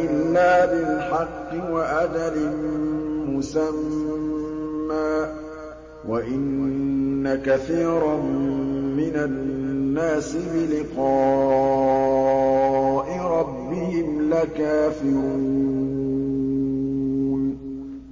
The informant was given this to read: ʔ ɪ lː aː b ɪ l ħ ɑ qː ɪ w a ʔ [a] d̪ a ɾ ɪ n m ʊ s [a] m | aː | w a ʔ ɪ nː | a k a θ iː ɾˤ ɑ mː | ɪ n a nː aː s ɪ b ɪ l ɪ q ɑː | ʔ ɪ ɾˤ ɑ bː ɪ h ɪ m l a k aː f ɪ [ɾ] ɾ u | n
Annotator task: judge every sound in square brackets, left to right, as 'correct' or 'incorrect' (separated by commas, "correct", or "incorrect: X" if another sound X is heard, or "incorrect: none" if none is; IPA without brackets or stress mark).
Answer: correct, correct, correct